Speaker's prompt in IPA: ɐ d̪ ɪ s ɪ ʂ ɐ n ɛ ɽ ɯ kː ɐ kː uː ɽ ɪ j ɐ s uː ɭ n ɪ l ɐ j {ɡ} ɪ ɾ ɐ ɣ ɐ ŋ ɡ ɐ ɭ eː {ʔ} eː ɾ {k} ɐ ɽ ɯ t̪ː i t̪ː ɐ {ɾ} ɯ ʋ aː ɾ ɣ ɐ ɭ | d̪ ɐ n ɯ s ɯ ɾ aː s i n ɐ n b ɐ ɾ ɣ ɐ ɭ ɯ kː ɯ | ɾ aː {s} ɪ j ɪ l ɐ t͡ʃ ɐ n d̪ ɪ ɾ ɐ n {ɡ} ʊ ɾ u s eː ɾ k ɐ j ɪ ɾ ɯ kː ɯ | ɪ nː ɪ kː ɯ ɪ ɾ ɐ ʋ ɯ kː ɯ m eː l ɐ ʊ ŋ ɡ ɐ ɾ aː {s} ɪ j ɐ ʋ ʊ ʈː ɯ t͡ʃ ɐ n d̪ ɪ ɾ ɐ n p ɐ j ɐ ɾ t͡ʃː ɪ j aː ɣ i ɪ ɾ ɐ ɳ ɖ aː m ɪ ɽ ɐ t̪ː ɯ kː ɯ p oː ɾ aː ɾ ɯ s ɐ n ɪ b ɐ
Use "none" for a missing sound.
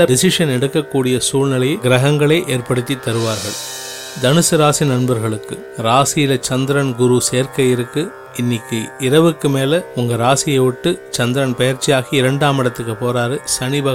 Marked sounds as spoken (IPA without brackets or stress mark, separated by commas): ɡ, ʔ, p, ɾ, s, ɡ, s